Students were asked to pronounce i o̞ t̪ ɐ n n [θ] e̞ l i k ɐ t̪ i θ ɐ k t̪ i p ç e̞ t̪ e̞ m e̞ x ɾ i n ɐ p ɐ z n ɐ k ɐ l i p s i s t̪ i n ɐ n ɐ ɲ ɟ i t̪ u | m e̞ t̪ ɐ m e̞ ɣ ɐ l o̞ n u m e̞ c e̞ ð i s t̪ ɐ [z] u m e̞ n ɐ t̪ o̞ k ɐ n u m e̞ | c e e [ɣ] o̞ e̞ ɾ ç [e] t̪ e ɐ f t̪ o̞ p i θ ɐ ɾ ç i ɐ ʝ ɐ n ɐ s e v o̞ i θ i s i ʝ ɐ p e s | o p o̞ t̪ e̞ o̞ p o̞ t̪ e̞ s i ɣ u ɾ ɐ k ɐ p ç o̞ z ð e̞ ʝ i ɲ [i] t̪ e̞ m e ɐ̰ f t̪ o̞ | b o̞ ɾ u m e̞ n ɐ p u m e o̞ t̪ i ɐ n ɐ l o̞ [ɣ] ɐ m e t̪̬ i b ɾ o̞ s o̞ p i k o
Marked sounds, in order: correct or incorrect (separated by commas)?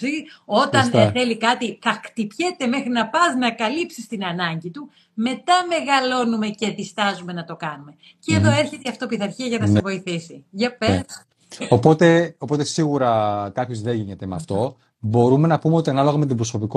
correct, correct, incorrect, correct, incorrect, correct